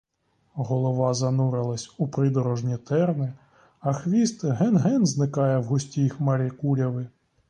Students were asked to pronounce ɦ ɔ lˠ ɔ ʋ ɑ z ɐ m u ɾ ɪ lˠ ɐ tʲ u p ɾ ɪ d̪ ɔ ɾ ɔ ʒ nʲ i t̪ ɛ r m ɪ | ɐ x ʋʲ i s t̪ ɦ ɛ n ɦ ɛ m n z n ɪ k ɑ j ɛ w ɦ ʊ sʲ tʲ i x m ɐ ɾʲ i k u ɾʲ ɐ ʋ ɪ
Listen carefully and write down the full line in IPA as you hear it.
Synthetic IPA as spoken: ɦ ɔ lˠ ɔ ʋ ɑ z ɐ n u ɾ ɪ lˠ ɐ sʲ u p ɾ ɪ d̪ ɔ ɾ ɔ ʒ nʲ i t̪ ɛ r n ɪ | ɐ x ʋʲ i s t̪ ɦ ɛ n ɦ ɛ n z n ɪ k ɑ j ɛ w ɦ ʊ sʲ tʲ i x m ɐ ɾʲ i k u ɾʲ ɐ ʋ ɪ